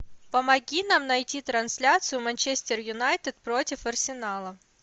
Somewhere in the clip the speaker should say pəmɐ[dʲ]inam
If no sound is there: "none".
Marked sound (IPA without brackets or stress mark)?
ɡʲ